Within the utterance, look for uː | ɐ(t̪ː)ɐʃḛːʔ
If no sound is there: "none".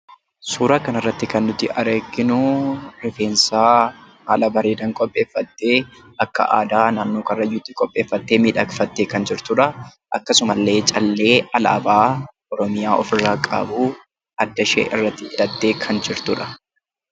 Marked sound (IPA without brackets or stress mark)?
d̪ː